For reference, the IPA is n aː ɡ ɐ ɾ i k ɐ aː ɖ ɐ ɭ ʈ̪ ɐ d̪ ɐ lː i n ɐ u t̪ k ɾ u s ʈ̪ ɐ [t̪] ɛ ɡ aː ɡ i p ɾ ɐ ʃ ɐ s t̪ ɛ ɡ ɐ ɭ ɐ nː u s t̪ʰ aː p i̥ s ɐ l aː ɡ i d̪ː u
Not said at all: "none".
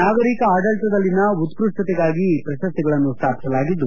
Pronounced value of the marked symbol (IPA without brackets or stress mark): t̪